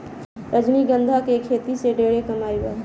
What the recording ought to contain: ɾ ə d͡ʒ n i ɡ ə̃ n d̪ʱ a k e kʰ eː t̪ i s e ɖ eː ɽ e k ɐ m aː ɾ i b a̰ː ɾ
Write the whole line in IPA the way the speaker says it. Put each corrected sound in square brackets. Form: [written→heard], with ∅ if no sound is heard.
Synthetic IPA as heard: ɾ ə d͡ʒ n i ɡ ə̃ n d̪ʱ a k e kʰ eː t̪ i s e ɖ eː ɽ e k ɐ m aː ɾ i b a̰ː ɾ